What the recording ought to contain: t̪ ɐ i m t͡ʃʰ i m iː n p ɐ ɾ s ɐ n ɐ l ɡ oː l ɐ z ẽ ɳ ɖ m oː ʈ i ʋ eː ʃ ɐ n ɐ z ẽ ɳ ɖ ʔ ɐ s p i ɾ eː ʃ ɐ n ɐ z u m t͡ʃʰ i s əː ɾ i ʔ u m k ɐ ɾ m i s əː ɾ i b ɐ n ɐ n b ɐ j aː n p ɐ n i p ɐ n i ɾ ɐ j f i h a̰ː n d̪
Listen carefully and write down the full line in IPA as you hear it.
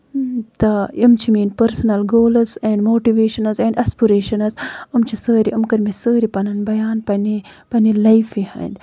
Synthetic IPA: t̪ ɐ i m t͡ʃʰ i m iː n p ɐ ɾ s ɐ n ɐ l ɡ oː l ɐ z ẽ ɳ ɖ m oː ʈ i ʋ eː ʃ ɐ n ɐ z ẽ ɳ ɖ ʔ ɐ s p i ɾ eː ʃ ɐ n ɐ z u m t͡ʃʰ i s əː ɾ i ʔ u m k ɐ ɾ m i s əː ɾ i p ɐ n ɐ n b ɐ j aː n p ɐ n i p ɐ n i l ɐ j f i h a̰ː n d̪

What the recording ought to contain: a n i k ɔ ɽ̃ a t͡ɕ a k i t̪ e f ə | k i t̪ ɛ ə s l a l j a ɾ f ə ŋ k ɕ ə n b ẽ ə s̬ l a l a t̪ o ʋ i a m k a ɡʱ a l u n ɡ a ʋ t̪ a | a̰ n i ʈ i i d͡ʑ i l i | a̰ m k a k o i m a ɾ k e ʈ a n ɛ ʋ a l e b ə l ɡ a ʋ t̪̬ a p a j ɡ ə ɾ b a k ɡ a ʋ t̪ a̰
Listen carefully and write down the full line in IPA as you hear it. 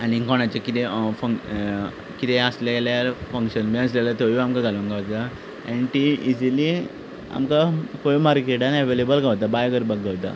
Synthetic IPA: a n i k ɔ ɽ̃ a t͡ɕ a k i t̪ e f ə | k i t̪ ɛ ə s l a l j a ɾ f ə ŋ k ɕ ə n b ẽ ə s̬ l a l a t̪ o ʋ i a m k a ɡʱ a l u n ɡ a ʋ t̪ a | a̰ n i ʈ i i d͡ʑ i l i | a̰ m k a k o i m a ɾ k e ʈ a n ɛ ʋ e l e b ə l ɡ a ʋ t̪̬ a b a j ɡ ə ɾ b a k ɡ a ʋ t̪ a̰

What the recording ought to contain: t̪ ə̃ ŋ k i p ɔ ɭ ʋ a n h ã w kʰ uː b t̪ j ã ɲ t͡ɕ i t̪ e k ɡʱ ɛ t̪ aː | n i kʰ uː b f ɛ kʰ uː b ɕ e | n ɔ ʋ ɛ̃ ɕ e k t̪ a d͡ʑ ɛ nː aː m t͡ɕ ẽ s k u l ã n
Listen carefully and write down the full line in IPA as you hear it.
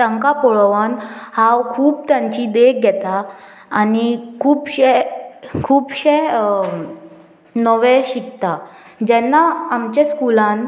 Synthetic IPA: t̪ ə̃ ŋ k a p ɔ ɭ ʋ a n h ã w kʰ uː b t̪ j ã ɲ t͡ɕ i d̪ e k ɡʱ ɛ t̪ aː | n i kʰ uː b ɕ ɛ kʰ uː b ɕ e | n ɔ ʋ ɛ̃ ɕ i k t̪ a d͡ʑ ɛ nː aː m t͡ɕ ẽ s k u l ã n

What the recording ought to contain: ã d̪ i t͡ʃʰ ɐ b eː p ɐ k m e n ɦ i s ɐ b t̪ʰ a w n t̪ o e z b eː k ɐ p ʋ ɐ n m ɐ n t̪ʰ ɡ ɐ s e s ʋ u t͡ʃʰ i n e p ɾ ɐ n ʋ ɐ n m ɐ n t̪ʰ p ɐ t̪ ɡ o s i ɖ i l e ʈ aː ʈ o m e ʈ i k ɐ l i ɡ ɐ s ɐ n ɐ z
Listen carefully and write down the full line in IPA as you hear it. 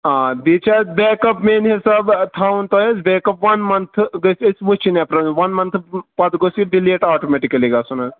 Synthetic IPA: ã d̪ i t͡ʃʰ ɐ b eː k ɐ p m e n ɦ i s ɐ b t̪ʰ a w n t̪ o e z b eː k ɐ p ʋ ɐ n m ɐ n t̪ʰ ɡ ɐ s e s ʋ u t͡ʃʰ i n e p ɾ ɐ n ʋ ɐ n m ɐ n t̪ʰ p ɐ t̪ ɡ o s i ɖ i l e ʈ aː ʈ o m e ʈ i k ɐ l i ɡ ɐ s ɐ n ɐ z

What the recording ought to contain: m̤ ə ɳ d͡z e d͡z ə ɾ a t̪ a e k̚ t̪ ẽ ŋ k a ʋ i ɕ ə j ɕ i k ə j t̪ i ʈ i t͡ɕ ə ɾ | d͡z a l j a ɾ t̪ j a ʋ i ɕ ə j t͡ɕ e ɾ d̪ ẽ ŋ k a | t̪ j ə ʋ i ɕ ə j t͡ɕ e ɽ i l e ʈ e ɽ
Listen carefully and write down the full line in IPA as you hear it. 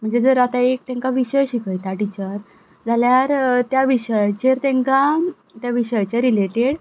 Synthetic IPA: m̤ ə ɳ d͡z e d͡z ə ɾ a t̪ a e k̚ t̪ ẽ ŋ k a ʋ i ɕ ə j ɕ i k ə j t̪ a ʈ i t͡ɕ ə ɾ | d͡z a l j a ɾ t̪ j a ʋ i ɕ ə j t͡ɕ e ɾ t̪ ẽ ŋ k a | t̪ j a ʋ i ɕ ə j t͡ɕ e ɾ i l e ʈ e ɽ

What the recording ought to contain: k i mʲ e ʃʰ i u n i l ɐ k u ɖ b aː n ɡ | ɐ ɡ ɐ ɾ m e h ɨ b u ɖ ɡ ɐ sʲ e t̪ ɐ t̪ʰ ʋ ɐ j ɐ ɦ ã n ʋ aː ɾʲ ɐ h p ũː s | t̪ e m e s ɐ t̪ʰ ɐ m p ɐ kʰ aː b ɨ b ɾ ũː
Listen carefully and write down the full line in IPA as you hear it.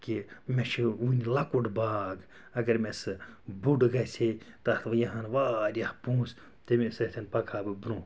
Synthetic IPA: k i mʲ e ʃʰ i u n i l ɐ k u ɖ b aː ɡ | ɐ ɡ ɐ ɾ m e s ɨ b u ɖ ɡ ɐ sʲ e t̪ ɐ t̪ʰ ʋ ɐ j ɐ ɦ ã n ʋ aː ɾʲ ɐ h p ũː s | t̪ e m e s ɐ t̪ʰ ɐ n p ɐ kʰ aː b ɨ b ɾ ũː

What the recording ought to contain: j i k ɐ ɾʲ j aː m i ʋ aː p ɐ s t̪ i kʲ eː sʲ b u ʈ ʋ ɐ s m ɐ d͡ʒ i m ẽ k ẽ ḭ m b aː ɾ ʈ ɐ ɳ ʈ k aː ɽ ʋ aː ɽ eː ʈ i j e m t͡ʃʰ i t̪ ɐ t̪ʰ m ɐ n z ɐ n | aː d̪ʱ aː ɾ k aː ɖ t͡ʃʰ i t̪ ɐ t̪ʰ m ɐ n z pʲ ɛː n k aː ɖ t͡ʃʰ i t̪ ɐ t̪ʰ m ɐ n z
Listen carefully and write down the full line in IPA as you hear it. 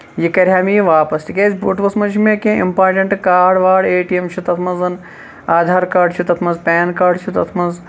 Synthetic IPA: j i k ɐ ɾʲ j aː m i ʋ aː p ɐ s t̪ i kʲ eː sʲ b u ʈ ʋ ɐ s m ɐ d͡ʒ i m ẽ k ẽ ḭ m p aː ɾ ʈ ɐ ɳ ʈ k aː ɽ ʋ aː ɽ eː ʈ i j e m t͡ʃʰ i t̪ ɐ t̪ʰ m ɐ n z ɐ n | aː d̪ʱ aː ɾ k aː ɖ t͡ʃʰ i t̪ ɐ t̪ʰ m ɐ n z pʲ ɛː n k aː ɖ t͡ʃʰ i t̪ ɐ t̪ʰ m ɐ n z

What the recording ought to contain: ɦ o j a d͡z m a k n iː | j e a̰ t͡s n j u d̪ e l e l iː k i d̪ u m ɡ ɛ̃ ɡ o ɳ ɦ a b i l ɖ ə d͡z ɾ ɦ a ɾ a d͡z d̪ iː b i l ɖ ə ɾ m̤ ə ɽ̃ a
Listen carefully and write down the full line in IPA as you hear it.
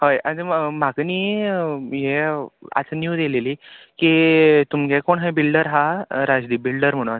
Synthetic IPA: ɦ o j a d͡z m a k n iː | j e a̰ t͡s n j u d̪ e l e l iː k i t̪ u m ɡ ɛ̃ k o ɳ ɦ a b i l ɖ ə ɾ ɦ a ɾ a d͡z d̪ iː b i l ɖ ə ɾ m̤ ə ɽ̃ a

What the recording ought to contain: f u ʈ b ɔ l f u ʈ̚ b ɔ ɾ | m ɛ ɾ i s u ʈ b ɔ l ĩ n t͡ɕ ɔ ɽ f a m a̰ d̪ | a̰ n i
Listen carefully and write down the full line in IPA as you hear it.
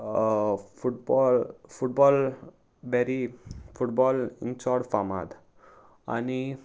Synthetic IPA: f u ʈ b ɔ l f u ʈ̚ b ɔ l | b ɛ ɾ i f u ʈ b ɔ l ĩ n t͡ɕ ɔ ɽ f a m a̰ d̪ | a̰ n i

